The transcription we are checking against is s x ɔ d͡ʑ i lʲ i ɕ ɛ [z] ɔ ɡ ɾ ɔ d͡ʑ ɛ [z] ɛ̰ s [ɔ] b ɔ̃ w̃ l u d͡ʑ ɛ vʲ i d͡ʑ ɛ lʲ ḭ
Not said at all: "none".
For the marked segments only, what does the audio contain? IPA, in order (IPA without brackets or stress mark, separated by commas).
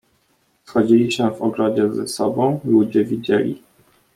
v, z, ɔ